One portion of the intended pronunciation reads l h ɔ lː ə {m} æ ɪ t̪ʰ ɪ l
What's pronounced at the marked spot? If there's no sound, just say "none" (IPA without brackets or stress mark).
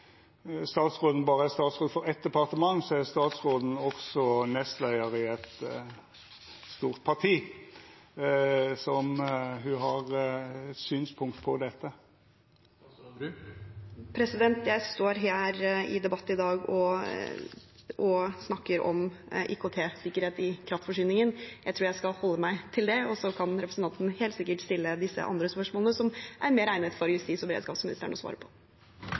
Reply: m